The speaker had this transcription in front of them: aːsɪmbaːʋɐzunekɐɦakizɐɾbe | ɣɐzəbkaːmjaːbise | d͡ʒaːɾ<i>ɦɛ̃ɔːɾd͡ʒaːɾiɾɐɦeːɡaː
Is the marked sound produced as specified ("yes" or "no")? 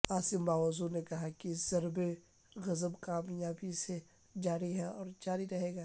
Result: yes